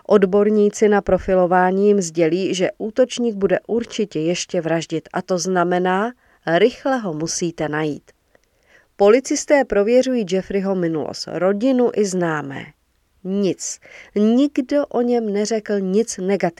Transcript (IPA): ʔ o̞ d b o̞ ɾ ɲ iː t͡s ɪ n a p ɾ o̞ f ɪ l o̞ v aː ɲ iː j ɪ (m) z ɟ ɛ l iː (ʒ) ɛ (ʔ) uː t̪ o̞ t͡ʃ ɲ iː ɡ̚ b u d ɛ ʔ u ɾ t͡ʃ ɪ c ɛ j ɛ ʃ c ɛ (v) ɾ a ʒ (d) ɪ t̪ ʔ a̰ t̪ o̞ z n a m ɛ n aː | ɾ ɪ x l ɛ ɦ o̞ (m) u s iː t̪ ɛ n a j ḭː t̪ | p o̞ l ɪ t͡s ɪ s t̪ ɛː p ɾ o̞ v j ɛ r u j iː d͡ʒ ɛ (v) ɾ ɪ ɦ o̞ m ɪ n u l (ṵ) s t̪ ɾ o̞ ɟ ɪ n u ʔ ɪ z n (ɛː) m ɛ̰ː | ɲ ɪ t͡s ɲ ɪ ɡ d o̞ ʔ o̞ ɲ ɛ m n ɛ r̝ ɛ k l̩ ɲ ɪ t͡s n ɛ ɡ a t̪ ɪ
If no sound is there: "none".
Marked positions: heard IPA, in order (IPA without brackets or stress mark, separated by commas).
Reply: m, ʒ, ʔ, v, ɟ, m, f, o̰, aː